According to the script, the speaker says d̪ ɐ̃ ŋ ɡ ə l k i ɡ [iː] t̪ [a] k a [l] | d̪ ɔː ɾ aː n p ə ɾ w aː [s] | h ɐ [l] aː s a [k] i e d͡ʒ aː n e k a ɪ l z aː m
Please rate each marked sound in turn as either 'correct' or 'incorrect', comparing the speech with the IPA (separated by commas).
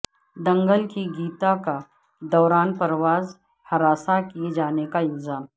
correct, correct, incorrect, incorrect, incorrect, correct